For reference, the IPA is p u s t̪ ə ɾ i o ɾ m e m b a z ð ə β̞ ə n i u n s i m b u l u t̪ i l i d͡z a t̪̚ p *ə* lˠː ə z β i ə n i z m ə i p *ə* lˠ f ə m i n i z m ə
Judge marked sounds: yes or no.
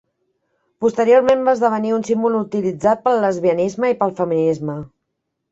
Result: yes, yes

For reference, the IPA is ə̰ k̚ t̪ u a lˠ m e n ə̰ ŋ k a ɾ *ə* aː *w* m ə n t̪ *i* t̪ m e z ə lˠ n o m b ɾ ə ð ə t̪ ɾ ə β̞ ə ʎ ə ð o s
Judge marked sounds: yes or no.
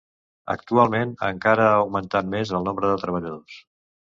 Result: yes, yes, no

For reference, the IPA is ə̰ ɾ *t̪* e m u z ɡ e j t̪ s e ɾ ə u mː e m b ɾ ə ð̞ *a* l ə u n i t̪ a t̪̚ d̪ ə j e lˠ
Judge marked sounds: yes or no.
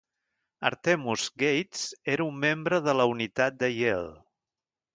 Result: yes, no

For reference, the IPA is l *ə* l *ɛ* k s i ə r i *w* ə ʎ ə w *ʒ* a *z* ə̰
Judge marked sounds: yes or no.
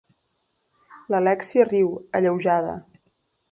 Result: yes, yes, yes, yes, no

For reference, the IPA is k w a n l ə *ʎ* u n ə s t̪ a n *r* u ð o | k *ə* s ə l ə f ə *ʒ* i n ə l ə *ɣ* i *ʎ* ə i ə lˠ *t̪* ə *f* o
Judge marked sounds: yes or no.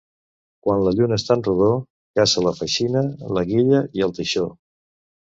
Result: yes, yes, no, no, yes, yes, yes, no

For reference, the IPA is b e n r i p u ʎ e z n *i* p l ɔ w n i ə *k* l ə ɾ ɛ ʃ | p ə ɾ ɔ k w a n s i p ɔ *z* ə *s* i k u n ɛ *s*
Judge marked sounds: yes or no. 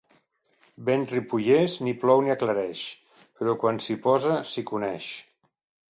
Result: yes, yes, yes, yes, no

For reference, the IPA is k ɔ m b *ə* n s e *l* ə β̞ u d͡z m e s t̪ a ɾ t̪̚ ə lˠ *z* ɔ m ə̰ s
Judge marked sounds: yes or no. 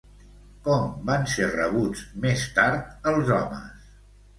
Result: no, no, yes

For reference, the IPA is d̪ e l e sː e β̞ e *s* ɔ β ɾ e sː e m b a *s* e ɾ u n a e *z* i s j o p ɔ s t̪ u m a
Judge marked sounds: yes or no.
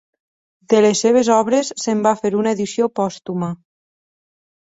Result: no, no, no

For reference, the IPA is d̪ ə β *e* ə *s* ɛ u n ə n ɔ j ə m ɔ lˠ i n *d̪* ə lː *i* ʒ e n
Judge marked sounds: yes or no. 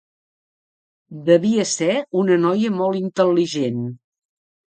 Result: no, yes, no, yes

